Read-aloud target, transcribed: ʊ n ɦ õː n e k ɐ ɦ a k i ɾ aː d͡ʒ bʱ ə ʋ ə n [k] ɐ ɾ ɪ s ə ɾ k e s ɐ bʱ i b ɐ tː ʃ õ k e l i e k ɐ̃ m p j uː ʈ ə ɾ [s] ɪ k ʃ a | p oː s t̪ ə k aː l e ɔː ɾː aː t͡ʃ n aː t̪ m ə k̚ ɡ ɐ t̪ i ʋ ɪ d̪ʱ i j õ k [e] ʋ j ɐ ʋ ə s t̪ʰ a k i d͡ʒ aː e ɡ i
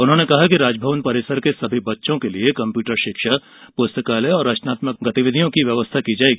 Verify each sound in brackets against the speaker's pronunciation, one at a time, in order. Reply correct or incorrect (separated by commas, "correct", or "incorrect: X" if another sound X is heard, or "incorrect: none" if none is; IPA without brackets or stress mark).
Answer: incorrect: p, incorrect: ʃ, incorrect: i